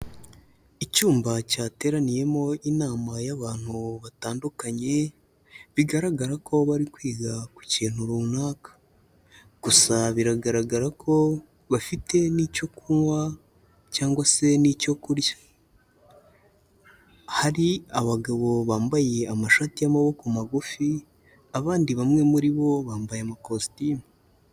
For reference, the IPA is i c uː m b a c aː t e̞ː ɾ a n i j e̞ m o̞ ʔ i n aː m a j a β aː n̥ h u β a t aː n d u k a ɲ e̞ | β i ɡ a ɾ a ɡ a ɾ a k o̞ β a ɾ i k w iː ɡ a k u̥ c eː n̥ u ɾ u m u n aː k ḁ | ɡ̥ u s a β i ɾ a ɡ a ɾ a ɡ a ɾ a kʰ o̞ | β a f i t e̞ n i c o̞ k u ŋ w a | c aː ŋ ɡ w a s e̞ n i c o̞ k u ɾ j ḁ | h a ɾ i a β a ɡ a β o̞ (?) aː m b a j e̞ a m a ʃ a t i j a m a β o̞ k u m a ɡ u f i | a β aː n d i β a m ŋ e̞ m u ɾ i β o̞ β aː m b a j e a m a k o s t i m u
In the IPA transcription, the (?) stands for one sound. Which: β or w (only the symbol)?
β